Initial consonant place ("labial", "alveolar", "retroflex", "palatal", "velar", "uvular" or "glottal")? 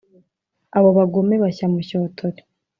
labial